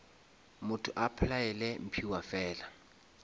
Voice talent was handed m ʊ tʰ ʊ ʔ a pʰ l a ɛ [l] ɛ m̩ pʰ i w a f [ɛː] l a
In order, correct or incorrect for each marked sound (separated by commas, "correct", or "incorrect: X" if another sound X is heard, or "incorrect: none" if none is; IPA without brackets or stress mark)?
correct, correct